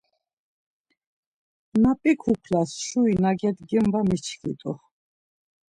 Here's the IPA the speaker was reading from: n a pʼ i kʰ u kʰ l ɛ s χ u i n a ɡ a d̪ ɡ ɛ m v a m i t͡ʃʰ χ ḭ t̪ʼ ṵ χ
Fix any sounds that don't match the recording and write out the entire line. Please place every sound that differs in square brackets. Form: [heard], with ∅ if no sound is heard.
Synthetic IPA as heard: n a pʼ i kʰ u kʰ l [a] s [ʃ] u i n a ɡ [ɛ] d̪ ɡ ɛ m v a m i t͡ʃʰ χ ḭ t̪ʼ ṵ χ